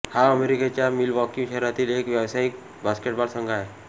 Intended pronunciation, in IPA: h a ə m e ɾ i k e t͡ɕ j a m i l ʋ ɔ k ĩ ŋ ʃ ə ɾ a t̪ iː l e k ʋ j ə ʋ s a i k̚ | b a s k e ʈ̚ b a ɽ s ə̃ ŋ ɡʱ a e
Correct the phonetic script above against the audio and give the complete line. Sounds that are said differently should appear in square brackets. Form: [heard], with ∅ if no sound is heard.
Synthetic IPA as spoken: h a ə m e ɾ i k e t͡ɕ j a m i l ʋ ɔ k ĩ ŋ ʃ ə ɾ a t̪ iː l e k ʋ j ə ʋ s a i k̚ | b a s k e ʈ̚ b a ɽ s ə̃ ŋ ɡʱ a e